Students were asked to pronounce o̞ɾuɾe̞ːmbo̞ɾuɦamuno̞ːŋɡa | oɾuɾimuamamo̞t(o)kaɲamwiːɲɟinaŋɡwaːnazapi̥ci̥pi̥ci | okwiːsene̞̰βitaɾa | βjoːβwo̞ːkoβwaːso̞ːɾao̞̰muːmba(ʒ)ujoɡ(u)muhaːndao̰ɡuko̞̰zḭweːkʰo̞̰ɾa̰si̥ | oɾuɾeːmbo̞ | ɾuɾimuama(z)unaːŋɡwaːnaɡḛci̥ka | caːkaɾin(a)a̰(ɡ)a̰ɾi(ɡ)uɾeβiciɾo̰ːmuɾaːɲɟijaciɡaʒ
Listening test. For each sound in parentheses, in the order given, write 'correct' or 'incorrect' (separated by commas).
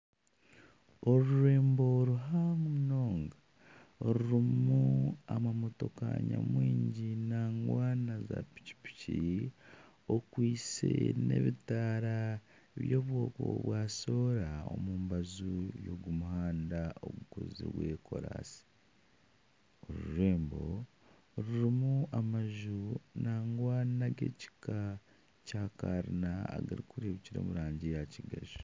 correct, incorrect, correct, incorrect, correct, correct, incorrect